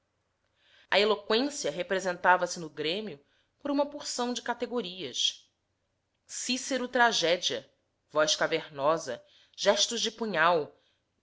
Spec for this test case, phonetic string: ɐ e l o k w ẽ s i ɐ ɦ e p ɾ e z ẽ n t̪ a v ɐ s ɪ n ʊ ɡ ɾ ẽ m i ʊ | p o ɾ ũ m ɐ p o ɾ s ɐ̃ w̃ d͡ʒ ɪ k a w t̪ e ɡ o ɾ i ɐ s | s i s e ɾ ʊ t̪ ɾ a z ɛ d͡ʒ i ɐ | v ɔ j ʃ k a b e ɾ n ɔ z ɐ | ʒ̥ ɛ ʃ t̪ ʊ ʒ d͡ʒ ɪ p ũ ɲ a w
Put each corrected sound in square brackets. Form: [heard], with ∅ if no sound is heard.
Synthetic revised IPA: ɐ e l o k w ẽ s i ɐ ɦ e p ɾ e z ẽ n t̪ a v ɐ s ɪ n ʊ ɡ ɾ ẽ m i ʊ | p o ɾ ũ m ɐ p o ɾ s ɐ̃ w̃ d͡ʒ ɪ k a [∅] t̪ e ɡ o ɾ i ɐ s | s i s e ɾ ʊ t̪ ɾ a [ʒ] ɛ d͡ʒ i ɐ | v ɔ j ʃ k a [v] e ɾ n ɔ z ɐ | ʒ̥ ɛ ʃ t̪ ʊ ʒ d͡ʒ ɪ p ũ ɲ a w